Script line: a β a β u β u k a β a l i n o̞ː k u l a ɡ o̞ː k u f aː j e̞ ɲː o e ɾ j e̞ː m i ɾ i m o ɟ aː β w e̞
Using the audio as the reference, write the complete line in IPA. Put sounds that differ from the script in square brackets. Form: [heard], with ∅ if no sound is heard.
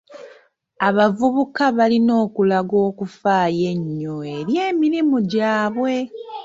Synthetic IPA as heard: a β a [v] u β u k a β a l i n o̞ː k u l a ɡ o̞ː k u f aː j e̞ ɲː o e ɾ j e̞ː m i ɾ i m [u] ɟ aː β w e̞